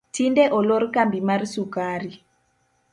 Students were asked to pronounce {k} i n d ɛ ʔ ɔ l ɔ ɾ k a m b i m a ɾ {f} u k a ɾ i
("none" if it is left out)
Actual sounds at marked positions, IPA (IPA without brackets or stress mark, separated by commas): t, s